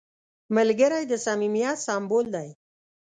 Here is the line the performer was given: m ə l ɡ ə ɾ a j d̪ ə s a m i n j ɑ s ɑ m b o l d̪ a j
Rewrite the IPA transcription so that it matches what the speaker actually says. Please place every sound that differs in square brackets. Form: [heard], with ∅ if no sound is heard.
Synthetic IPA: m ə l ɡ ə ɾ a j d̪ ə s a m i [m] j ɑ s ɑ m b o l d̪ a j